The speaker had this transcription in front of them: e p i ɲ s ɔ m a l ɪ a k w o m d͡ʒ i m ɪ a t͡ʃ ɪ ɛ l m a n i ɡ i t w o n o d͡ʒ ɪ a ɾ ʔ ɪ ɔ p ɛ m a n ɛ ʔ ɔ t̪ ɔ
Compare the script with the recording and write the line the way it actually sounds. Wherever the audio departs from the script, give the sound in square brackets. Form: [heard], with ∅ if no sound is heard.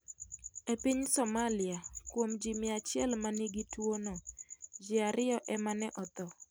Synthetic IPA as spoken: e p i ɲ s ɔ m a l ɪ a k w o m d͡ʒ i m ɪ a t͡ʃ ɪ ɛ l m a n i ɡ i t w o n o d͡ʒ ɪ a ɾ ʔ ɪ ɔ [ʔ] ɛ m a n ɛ ʔ ɔ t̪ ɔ